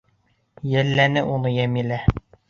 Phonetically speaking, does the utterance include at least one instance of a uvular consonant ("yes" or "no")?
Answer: no